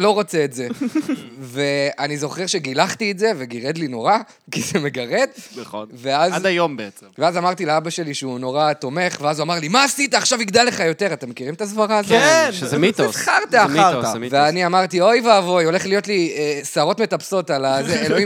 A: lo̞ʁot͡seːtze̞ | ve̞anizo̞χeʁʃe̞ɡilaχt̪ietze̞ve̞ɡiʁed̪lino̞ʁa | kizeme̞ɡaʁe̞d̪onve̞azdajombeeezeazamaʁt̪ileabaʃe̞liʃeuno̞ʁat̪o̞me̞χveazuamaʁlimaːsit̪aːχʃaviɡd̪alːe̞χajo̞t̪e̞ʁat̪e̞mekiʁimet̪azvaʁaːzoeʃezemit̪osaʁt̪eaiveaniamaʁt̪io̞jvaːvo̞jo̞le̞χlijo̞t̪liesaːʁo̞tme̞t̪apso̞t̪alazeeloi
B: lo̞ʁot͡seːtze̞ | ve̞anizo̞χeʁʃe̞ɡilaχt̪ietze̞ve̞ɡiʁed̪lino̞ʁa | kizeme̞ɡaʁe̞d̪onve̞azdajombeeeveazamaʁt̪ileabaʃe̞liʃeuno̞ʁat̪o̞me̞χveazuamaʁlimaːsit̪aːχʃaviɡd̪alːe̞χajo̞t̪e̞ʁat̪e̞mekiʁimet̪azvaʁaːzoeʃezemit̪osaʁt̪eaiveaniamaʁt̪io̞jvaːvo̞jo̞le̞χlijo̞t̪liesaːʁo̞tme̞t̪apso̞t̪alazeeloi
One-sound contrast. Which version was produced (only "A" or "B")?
B